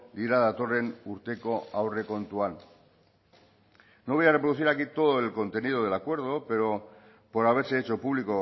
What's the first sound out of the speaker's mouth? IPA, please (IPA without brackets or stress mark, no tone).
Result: d̪